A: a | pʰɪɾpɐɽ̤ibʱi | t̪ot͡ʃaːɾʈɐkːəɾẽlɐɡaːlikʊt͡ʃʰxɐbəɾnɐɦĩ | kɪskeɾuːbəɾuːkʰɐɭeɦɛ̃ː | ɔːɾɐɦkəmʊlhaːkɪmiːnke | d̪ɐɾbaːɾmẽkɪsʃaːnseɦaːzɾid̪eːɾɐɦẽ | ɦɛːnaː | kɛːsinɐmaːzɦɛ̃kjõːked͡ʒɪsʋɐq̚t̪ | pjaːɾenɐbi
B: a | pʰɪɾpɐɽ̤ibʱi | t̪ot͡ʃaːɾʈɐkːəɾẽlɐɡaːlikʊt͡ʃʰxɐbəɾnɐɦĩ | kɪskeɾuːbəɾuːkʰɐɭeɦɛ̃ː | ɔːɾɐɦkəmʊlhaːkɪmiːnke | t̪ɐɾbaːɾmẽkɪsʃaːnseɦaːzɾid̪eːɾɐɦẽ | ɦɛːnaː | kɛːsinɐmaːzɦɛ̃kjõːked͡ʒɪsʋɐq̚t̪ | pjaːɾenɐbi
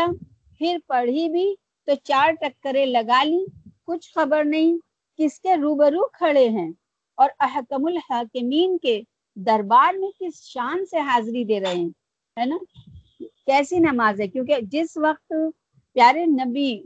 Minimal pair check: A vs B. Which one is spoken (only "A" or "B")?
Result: A